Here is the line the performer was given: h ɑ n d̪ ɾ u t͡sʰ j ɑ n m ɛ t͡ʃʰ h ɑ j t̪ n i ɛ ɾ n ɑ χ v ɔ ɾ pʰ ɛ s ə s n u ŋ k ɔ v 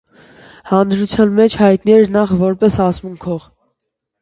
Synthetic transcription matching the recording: h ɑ n d̪ ɾ u t͡sʰ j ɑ n m ɛ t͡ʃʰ h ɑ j t̪ n i ɛ ɾ n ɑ χ v ɔ ɾ p ɛ s ɑ s m u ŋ kʰ ɔ ʁ